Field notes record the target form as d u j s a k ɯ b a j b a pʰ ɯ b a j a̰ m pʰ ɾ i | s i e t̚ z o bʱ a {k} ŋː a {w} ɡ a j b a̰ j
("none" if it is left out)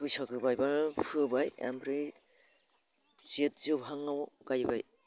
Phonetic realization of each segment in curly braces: none, w

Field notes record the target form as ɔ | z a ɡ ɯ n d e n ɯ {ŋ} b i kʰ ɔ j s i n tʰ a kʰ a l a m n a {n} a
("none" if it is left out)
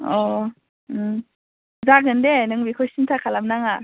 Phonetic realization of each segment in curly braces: ŋ, ŋ

